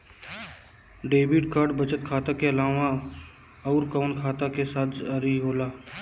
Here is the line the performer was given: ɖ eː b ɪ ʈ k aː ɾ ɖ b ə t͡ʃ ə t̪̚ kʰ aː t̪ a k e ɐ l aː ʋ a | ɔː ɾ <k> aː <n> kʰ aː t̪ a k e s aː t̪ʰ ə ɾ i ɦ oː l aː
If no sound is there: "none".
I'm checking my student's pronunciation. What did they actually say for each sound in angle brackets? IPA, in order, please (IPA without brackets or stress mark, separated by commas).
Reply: k, n